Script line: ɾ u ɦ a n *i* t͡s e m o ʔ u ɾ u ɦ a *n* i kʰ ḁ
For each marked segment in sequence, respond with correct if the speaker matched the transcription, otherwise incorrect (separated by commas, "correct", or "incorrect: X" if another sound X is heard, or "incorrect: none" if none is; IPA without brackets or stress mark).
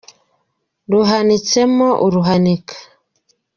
correct, correct